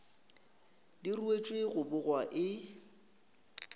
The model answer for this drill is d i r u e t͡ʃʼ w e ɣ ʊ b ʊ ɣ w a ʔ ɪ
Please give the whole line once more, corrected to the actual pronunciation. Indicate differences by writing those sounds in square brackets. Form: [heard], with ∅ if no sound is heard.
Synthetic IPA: d i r u e t͡ʃʼ w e ɣ ʊ b ʊ ɣ w a ʔ ɪ